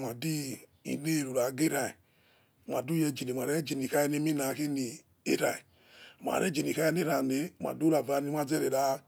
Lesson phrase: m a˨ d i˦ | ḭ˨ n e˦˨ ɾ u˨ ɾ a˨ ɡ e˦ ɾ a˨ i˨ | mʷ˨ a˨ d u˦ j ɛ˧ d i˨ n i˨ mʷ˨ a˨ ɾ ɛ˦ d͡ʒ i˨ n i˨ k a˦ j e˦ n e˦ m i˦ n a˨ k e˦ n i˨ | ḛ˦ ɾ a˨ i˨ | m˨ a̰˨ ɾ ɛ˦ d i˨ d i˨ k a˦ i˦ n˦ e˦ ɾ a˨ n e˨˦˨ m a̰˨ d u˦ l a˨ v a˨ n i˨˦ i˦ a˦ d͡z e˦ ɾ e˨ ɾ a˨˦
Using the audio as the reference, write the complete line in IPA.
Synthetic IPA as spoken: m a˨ d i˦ | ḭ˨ n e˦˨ ɾ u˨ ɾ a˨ ɡ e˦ ɾ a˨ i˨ | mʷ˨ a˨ d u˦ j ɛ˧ d͡ʒ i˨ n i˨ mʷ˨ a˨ ɾ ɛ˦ d͡ʒ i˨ n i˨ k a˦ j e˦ n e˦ m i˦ n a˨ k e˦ n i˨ | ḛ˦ ɾ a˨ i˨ | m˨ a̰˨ ɾ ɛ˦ d͡ʒ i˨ n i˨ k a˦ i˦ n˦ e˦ ɾ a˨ n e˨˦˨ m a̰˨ d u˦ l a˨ v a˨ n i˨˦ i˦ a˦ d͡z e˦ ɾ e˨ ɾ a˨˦